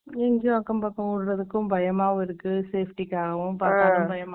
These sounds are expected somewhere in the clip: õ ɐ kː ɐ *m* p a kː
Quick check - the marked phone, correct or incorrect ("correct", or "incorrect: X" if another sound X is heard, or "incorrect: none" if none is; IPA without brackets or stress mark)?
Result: correct